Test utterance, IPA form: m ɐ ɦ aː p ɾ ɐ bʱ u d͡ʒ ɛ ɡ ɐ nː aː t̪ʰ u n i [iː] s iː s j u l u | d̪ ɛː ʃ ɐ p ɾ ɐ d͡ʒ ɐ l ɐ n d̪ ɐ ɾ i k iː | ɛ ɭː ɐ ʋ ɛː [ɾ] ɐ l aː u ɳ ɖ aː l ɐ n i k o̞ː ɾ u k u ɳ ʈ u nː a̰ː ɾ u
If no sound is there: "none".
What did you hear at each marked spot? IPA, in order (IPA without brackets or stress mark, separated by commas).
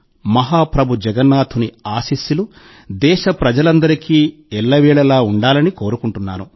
aː, ɭ